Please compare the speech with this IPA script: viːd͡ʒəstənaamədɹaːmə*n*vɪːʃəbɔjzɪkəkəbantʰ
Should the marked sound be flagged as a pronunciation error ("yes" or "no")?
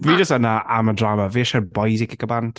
yes